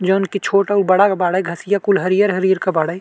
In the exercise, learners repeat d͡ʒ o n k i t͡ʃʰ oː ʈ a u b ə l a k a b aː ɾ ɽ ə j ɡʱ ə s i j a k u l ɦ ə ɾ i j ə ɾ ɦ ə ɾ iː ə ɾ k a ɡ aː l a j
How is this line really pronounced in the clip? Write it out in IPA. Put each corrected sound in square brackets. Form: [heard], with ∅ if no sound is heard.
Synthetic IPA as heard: d͡ʒ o n k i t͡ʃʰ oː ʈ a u b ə [ɽ] a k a b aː [∅] ɽ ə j ɡʱ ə s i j a k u l ɦ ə ɾ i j ə ɾ ɦ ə ɾ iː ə ɾ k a [b] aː [ɽ] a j